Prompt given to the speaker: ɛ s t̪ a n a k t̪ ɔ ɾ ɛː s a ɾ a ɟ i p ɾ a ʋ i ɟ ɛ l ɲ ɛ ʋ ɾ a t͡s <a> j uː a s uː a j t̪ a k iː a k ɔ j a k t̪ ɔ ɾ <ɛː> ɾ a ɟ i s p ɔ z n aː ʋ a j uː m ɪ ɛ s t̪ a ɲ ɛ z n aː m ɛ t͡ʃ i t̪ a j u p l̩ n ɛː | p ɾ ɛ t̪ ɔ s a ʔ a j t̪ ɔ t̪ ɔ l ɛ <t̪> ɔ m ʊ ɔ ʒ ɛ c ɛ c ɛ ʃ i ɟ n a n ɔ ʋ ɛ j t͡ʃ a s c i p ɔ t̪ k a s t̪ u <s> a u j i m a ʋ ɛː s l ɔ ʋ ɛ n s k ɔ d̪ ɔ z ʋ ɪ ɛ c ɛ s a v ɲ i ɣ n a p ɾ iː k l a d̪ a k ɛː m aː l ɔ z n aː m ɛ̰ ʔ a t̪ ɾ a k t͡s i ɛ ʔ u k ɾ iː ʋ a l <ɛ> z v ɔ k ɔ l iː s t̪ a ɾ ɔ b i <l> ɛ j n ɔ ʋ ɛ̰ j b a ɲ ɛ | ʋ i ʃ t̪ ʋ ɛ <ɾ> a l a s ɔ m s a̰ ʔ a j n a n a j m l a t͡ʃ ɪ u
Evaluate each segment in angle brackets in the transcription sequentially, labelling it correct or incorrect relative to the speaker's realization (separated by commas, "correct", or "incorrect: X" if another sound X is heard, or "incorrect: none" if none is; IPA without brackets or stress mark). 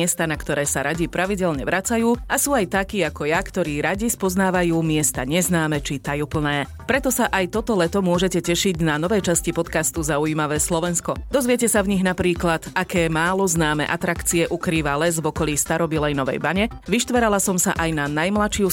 correct, incorrect: iː, correct, incorrect: z, correct, correct, correct